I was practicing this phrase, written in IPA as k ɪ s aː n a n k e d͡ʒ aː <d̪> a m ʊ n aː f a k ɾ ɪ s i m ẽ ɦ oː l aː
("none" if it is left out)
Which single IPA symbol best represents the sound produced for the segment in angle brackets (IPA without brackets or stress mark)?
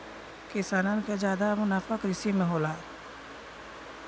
d̪